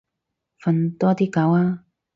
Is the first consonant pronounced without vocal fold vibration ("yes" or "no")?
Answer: yes